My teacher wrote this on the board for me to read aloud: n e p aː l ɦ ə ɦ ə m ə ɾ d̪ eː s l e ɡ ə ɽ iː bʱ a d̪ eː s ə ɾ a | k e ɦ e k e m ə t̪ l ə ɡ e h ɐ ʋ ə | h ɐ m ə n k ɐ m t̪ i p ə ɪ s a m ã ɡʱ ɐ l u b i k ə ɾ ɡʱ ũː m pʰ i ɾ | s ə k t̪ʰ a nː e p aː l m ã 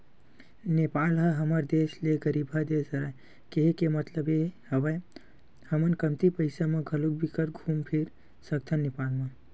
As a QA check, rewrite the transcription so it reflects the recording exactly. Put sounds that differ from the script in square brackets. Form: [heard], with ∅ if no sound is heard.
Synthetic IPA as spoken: n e p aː l ɦ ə ɦ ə m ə ɾ d̪ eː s l e ɡ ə [ɾ] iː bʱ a d̪ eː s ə ɾ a | k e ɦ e k e m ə t̪ l ə [b] e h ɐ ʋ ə | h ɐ m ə n k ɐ m t̪ i p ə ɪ s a m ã ɡʱ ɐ l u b i k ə ɾ ɡʱ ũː m pʰ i ɾ | s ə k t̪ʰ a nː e p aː l m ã